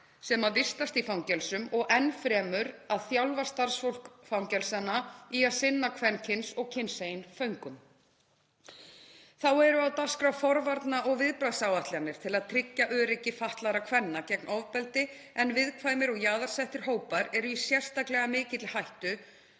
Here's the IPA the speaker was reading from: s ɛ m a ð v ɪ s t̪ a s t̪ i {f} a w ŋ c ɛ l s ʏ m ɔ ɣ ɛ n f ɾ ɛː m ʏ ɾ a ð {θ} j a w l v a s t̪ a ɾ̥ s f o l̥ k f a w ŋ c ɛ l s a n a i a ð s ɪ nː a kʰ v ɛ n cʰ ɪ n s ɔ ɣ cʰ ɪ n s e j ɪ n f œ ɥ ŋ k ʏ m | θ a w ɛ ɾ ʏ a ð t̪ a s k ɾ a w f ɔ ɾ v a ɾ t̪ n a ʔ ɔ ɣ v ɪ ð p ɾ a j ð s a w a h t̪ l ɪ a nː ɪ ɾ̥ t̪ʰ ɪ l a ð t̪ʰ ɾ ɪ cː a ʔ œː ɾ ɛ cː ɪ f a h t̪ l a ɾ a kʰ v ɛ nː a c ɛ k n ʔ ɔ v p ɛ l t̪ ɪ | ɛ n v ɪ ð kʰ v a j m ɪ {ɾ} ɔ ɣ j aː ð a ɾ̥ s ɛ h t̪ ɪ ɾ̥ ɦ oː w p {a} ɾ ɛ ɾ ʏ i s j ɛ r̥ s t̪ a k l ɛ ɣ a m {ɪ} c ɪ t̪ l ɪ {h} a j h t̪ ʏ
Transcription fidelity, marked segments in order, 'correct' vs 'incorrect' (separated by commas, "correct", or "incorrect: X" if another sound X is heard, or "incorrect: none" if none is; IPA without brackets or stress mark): correct, correct, correct, correct, incorrect: ɪː, correct